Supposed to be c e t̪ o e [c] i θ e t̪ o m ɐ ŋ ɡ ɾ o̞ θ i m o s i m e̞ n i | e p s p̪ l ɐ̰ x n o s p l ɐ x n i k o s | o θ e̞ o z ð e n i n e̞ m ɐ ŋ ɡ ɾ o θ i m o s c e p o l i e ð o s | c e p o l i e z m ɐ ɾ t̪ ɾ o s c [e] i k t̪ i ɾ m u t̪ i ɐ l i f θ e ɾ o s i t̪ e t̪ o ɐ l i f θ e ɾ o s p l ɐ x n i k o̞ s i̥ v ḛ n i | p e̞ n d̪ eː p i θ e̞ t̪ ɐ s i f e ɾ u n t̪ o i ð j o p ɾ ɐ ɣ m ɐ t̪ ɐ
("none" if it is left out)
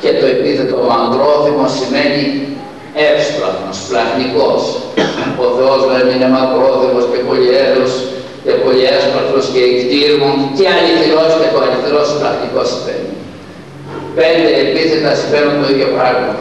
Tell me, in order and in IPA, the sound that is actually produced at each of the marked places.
p, e

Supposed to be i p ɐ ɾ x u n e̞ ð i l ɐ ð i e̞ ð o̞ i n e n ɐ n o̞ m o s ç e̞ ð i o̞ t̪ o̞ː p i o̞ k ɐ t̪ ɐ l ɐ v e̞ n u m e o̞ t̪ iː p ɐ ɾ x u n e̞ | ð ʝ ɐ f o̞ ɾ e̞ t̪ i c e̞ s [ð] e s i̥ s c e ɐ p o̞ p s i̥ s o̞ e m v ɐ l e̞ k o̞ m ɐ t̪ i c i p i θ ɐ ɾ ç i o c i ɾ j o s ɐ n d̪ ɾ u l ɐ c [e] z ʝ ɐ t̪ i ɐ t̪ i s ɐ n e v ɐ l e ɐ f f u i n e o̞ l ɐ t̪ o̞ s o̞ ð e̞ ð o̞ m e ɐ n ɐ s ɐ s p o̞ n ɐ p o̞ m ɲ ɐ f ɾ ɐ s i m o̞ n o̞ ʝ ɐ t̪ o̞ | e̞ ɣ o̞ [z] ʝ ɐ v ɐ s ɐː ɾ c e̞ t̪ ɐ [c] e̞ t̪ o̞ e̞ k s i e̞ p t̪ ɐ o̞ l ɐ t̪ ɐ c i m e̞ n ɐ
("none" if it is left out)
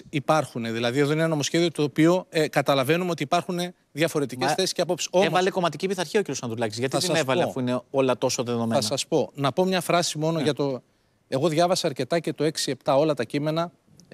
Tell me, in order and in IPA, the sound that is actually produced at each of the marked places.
θ, i, ð, c

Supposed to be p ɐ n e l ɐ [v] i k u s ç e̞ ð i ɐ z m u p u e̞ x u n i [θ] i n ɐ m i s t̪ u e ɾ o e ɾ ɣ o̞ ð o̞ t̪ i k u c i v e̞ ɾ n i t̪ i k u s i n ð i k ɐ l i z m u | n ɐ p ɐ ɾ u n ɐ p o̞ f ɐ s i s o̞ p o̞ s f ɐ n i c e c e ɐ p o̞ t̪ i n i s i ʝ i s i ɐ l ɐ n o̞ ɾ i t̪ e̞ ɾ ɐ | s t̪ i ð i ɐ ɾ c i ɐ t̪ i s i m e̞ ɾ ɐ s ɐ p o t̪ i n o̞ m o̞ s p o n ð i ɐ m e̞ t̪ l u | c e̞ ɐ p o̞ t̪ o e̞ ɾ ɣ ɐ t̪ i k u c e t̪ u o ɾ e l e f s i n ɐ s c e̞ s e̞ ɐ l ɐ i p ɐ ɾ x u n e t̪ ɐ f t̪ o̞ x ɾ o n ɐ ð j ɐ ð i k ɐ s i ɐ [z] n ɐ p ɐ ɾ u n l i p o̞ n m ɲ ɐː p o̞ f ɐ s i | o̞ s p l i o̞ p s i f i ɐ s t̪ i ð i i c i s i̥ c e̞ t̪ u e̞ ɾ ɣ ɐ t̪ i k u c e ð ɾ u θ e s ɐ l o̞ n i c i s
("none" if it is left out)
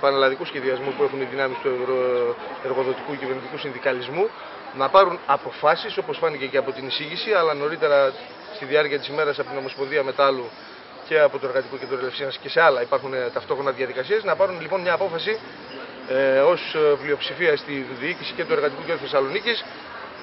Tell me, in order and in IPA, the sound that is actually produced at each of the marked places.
ð, ð, z

